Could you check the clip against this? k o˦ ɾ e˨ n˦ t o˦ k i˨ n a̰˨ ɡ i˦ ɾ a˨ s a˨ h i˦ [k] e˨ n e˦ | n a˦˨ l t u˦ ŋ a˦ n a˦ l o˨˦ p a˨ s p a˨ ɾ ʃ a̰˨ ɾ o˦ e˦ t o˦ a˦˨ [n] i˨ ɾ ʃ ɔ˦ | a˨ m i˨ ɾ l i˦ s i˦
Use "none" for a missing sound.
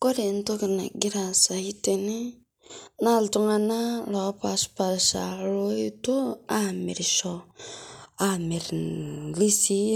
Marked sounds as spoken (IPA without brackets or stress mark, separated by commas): t, m